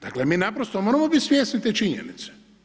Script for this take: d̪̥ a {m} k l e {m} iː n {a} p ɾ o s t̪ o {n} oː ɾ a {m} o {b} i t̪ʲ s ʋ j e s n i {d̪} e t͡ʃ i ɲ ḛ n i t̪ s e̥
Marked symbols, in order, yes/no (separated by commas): no, yes, yes, no, yes, yes, no